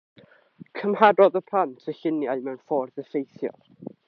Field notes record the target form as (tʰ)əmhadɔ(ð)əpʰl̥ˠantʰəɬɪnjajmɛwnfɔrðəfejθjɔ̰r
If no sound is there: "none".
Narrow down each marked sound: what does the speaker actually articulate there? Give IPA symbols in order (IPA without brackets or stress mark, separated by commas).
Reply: kʰ, ð